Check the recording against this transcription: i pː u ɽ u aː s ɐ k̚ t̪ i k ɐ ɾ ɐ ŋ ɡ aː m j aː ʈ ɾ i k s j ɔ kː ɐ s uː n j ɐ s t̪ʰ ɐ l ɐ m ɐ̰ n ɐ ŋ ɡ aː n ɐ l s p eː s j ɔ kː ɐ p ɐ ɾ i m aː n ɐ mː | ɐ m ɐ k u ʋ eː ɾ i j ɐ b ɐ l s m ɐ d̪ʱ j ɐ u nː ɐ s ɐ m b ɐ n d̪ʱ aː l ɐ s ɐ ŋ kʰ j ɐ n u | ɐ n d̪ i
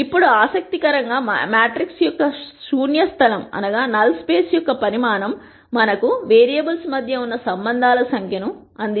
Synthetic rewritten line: i pː u ɽ u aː s ɐ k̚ t̪ i k ɐ ɾ ɐ ŋ ɡ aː m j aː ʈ ɾ i k s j ɔ kː ɐ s uː n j ɐ s t̪ʰ ɐ l ɐ m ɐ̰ n ɐ ɡ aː n ɐ l s p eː s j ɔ kː ɐ p ɐ ɾ i m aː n ɐ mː | ɐ n ɐ k u ʋ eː ɾ i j ɐ b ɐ l s m ɐ d̪ʱ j ɐ u nː ɐ s ɐ m b ɐ n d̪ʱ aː l ɐ s ɐ ŋ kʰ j ɐ n u | ɐ n d̪ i